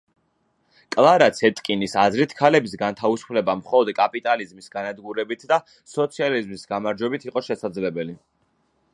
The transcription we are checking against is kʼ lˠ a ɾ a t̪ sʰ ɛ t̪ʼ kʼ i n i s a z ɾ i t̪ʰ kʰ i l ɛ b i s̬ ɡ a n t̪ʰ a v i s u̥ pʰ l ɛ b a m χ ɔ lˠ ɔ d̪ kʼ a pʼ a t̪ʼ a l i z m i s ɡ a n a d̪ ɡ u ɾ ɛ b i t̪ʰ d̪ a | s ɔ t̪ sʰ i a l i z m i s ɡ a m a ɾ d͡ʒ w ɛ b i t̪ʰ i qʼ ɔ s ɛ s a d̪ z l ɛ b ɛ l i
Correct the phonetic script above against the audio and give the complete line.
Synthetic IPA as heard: kʼ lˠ a ɾ a t̪ sʰ ɛ t̪ʼ kʼ i n i s a z ɾ i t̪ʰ kʰ a l ɛ b i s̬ ɡ a n t̪ʰ a v i s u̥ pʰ l ɛ b a m χ ɔ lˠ ɔ d̪ kʼ a pʼ i t̪ʼ a l i z m i s ɡ a n a d̪ ɡ u ɾ ɛ b i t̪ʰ d̪ a | s ɔ t̪ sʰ i a l i z m i s ɡ a m a ɾ d͡ʒ w ɛ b i t̪ʰ i qʼ ɔ ʃ ɛ s a d̪ z l ɛ b ɛ l i